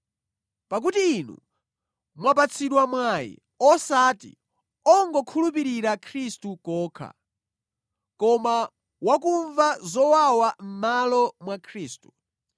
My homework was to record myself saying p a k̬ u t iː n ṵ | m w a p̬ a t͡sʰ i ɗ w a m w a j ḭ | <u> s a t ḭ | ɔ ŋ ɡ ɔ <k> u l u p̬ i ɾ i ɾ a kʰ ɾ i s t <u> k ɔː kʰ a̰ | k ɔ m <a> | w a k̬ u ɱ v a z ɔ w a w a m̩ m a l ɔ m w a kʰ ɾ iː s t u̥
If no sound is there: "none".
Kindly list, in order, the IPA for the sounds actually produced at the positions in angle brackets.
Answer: ɔ, kʰ, u, a

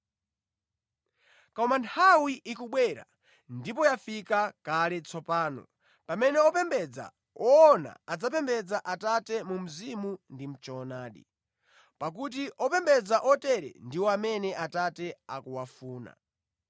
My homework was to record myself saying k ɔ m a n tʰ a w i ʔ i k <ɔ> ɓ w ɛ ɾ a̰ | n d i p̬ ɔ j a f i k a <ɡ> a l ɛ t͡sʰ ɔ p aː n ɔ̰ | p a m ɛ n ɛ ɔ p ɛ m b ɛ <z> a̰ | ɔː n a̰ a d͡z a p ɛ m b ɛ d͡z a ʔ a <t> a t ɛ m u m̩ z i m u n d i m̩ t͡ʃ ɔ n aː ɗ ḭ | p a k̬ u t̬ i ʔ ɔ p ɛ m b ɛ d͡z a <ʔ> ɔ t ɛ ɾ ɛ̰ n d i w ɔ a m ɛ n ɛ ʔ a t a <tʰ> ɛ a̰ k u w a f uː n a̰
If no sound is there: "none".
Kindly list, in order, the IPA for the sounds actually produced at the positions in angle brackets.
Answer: u, k, d͡z, t, ʔ, t

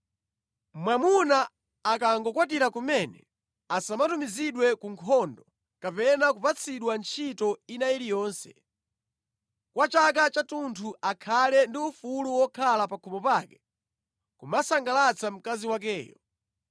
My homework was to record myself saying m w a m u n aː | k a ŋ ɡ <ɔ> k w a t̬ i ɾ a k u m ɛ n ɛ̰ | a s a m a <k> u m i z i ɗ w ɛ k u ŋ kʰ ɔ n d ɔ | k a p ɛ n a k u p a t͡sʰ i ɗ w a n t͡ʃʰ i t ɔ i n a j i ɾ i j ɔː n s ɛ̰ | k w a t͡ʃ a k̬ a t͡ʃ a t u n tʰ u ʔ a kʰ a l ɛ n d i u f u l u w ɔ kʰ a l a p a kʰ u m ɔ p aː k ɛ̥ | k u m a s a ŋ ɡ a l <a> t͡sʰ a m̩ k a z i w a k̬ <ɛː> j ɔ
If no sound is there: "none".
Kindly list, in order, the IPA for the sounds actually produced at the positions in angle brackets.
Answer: ɔ, t, a, ɛː

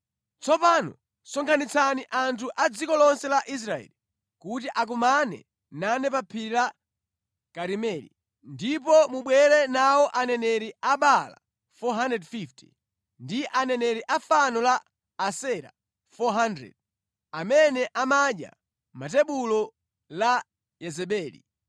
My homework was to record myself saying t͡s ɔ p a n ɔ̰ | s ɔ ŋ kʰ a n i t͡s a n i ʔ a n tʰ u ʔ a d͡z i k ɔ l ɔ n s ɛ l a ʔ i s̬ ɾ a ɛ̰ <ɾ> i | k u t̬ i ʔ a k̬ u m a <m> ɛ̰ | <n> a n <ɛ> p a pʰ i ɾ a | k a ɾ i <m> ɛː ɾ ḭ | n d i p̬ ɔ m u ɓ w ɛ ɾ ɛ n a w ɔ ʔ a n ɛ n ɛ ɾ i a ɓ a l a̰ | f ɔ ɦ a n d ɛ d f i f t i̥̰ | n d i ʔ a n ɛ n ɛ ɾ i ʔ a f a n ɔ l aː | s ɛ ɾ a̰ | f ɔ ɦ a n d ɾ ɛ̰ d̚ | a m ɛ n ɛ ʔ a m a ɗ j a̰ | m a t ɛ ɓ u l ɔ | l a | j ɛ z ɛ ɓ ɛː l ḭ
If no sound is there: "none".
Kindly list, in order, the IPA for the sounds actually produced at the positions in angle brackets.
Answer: l, n, n, ɛ, m

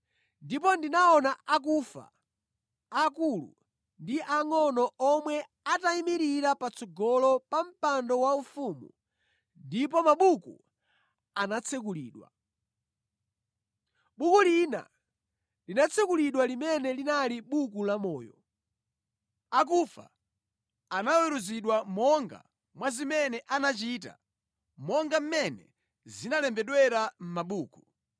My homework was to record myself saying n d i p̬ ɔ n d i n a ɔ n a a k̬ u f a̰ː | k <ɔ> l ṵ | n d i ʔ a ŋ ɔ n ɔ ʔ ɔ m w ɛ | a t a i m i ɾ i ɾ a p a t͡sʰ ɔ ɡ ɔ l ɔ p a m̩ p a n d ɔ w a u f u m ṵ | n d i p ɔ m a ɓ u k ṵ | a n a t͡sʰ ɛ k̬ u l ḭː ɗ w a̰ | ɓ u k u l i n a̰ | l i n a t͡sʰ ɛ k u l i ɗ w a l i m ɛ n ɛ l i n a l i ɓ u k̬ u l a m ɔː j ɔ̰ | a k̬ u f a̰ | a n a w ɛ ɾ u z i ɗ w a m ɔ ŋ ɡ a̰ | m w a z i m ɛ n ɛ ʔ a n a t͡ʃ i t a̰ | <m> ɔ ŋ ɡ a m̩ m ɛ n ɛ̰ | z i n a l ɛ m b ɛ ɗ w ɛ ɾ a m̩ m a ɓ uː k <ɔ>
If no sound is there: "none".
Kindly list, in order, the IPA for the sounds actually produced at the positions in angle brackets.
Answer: u, m, u

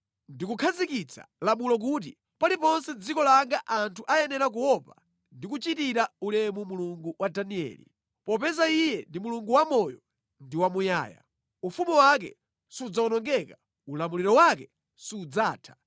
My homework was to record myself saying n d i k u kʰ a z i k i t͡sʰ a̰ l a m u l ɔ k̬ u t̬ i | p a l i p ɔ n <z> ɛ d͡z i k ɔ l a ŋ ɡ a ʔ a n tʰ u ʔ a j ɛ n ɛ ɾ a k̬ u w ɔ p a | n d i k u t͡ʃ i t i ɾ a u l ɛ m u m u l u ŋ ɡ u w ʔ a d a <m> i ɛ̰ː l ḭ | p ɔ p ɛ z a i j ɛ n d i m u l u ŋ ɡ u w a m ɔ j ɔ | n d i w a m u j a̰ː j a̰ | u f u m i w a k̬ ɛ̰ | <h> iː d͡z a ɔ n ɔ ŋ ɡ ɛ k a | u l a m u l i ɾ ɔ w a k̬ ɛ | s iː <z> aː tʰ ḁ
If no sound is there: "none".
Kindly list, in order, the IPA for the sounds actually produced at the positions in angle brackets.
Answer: s, n, s, d͡z

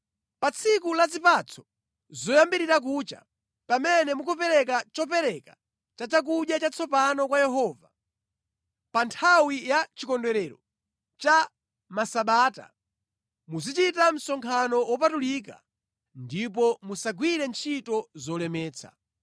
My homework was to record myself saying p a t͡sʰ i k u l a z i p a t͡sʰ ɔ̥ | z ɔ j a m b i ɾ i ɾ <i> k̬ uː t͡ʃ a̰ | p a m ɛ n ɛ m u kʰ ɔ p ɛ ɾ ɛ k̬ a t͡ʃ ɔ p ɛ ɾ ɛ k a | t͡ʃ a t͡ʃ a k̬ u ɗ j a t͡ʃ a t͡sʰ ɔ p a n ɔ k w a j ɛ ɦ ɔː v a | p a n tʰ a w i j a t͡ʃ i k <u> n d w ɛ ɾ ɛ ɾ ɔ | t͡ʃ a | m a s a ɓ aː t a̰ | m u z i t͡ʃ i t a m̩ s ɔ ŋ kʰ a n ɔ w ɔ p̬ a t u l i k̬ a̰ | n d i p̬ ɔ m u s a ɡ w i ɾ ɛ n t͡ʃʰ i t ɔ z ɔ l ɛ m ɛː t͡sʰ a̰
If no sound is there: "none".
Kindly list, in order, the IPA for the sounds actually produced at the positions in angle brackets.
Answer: a, ɔ

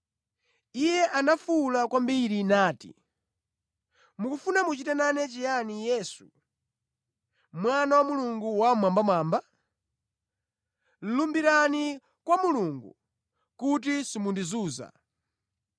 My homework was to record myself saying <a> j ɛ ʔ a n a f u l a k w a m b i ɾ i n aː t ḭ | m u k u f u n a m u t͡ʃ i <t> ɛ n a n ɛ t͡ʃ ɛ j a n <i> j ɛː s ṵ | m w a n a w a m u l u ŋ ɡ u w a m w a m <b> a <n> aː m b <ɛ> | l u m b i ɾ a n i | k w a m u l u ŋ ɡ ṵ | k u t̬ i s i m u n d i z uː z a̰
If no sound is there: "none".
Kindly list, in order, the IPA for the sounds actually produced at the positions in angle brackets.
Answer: i, t, i, b, m, a

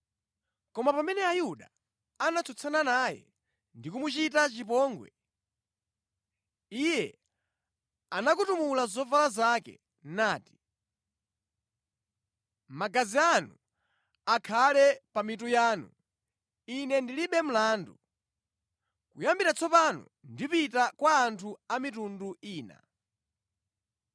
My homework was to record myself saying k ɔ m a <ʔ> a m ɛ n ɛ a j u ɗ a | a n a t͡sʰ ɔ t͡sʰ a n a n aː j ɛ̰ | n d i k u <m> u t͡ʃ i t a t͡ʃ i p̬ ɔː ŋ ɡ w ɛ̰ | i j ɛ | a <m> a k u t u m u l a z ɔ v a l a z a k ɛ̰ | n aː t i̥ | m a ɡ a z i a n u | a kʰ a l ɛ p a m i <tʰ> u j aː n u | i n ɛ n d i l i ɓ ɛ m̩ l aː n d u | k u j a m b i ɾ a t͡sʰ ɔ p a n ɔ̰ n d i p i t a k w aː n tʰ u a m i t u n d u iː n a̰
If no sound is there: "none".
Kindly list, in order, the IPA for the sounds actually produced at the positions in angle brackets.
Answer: p, m, n, t

